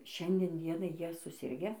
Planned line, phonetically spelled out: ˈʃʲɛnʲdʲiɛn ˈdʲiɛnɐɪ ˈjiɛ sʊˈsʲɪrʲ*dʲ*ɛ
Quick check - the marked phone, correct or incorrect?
incorrect